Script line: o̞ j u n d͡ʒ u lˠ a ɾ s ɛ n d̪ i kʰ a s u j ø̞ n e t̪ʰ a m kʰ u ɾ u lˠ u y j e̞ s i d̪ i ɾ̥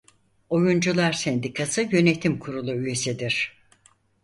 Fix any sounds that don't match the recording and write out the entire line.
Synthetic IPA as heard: o̞ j u n d͡ʒ u lˠ a ɾ s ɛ n d̪ i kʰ a s ɯ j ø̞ n e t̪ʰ i m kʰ u ɾ u lˠ u y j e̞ s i d̪ i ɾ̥